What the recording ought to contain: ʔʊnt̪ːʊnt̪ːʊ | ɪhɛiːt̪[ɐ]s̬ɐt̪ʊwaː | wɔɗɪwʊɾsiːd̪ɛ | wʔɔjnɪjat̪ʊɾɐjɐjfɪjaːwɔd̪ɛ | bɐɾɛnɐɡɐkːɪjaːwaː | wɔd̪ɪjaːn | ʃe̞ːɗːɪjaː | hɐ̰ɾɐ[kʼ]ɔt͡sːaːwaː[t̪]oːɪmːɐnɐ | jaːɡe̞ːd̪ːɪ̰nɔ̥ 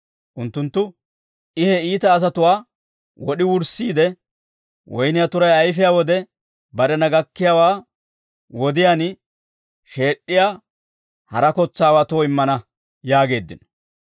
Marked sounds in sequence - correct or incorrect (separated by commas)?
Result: incorrect, incorrect, correct